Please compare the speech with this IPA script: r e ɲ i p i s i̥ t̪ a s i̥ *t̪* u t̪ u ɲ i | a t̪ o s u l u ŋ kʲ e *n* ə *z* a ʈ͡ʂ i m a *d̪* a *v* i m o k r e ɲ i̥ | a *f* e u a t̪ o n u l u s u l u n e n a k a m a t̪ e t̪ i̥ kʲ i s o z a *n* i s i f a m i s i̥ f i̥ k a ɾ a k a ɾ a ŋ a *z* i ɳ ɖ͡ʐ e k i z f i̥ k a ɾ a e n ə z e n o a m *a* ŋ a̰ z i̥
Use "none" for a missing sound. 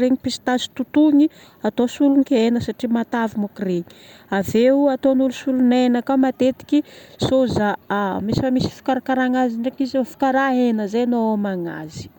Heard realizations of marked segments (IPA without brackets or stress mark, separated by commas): t̪, n, s, t̪, v, v, m, z, a